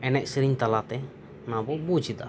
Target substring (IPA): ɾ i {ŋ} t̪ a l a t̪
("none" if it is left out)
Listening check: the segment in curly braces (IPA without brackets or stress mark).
ɲ